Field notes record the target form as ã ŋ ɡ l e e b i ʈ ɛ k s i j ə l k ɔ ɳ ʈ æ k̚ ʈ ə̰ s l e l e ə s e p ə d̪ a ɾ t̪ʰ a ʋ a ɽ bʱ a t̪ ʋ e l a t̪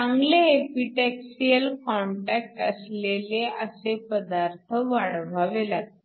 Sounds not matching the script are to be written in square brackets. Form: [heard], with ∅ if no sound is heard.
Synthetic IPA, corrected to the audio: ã ŋ ɡ l e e [p] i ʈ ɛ k s i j ə l k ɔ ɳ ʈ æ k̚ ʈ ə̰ s l e l e ə s e p ə d̪ a ɾ t̪ʰ [ə] ʋ a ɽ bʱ a [∅] ʋ e l a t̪